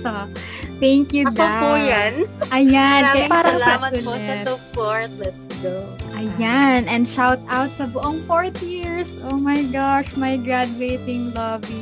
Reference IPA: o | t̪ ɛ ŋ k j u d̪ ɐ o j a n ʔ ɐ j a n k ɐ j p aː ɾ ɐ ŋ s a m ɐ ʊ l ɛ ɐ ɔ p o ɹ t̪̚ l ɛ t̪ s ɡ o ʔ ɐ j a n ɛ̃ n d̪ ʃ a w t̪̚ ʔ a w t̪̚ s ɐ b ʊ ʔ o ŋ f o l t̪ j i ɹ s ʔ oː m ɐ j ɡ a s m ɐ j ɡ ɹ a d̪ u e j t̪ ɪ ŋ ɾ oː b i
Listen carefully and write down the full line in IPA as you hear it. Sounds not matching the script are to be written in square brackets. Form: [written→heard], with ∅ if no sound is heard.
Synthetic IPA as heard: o | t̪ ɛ ŋ k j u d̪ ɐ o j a n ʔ ɐ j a n k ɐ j p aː ɾ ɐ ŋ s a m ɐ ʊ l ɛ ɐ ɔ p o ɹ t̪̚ l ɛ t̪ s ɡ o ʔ ɐ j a n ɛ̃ n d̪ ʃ a w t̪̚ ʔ a w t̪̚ s ɐ b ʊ ʔ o ŋ f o [l→ɹ] t̪ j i ɹ s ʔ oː m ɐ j ɡ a [s→ʃ] m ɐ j ɡ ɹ a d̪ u e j t̪ ɪ ŋ [ɾ→l] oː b i